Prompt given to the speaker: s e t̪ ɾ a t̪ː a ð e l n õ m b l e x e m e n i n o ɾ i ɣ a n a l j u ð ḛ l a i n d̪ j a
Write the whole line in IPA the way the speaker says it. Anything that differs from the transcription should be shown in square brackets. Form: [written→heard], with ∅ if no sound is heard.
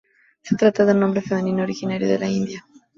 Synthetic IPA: s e t̪ ɾ a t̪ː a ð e l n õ m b [l→ɾ] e [x→f] e m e n i n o ɾ i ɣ [a→i] n a [l→ɾ] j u ð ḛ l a i n d̪ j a